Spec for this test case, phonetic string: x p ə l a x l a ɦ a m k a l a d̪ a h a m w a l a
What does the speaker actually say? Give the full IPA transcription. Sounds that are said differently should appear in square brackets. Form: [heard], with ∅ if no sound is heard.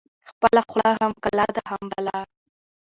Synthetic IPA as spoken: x p ə l a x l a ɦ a m k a l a d̪ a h a m [b] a l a